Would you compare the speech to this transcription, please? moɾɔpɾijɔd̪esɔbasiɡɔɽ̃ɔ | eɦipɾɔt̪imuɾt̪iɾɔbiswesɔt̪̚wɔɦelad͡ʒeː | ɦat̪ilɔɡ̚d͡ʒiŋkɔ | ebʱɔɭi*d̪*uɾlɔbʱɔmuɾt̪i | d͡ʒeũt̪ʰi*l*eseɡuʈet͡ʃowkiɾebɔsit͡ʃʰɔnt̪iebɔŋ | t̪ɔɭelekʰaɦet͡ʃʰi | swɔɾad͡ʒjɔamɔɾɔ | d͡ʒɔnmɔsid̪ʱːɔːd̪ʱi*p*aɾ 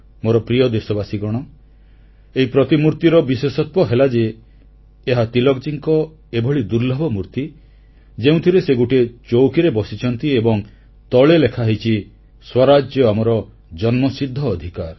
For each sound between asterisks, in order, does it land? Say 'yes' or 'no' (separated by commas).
yes, no, no